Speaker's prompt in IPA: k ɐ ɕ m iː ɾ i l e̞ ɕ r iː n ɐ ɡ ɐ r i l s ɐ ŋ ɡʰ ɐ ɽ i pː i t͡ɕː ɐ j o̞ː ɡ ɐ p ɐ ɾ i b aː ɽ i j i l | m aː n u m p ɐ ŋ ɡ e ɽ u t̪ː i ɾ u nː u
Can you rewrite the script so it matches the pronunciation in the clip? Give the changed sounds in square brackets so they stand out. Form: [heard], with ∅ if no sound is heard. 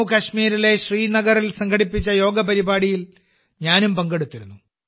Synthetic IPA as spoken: k ɐ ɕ m iː ɾ i l e̞ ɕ r iː n ɐ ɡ ɐ r i l s ɐ ŋ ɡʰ ɐ ɽ i pː i t͡ɕː ɐ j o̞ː ɡ ɐ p ɐ ɾ i b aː ɽ i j i l | [ɲ] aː n u m p ɐ ŋ ɡ e ɽ u t̪ː i ɾ u nː u